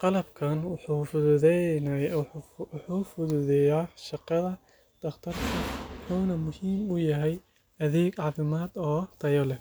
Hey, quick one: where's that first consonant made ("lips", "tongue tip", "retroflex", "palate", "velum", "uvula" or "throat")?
uvula